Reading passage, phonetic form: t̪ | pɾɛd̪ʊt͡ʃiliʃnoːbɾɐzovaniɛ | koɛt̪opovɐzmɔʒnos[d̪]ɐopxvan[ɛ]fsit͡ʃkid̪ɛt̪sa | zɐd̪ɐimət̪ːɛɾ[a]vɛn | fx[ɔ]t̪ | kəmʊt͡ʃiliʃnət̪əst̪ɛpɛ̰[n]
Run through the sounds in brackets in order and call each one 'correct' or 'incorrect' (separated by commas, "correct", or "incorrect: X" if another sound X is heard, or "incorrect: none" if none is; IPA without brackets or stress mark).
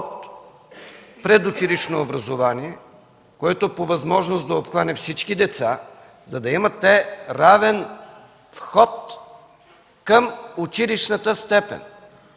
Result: correct, correct, correct, correct, correct